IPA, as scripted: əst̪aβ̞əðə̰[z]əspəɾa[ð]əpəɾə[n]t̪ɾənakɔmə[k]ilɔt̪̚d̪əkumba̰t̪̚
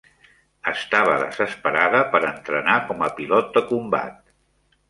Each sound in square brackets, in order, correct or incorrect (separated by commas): correct, correct, correct, incorrect